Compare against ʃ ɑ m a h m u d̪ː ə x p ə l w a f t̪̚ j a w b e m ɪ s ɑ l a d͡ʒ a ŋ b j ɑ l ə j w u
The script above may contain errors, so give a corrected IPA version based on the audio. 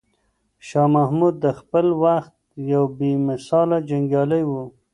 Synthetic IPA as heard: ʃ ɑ m a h m u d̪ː ə x p ə l w a x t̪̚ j a w b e m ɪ s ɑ l a d͡ʒ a ŋ ɡ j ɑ l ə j w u